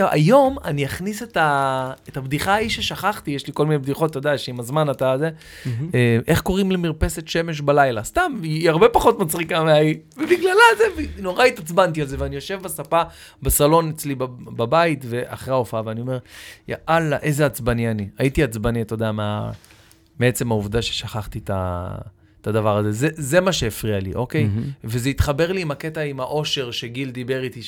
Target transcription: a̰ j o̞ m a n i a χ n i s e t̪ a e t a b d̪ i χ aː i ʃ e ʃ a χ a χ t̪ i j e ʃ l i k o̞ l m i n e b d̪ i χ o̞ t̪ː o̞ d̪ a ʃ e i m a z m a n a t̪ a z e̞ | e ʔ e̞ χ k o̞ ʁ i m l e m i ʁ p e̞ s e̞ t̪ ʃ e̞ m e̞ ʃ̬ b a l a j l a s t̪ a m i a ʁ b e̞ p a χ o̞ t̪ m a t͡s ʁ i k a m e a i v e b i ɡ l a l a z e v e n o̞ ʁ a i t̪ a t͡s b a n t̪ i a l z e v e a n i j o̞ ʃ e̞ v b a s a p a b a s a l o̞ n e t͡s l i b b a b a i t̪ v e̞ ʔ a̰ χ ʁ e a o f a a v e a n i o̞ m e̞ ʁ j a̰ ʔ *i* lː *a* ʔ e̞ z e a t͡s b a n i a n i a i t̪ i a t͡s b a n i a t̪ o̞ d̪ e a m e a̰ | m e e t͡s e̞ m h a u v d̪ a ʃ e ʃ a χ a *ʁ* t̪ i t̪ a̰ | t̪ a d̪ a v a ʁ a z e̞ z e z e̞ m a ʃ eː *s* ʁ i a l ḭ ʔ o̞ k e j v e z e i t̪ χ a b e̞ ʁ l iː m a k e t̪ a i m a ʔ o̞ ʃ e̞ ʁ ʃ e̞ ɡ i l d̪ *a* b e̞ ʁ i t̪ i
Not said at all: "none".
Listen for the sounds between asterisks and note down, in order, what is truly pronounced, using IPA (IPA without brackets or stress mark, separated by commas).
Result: a, a, χ, f, i